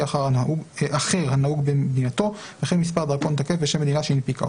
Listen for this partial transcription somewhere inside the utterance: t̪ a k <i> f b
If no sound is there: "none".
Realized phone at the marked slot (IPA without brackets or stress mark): e